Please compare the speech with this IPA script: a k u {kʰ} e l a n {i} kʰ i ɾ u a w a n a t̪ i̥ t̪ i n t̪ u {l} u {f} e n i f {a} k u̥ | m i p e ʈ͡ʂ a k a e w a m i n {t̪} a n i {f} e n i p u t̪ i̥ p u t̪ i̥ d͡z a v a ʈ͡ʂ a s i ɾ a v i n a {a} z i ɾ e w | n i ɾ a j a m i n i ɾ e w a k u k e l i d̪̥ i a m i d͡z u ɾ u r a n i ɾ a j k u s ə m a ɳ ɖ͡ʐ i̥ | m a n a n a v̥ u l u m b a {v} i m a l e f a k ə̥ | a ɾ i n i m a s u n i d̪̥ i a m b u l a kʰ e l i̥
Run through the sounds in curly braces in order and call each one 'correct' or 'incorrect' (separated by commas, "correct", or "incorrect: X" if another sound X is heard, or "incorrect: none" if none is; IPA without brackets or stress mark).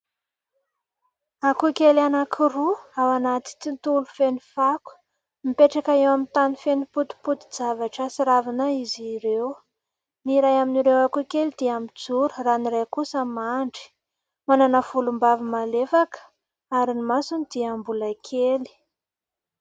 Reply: incorrect: k, incorrect: a, correct, correct, correct, correct, correct, incorrect: i, correct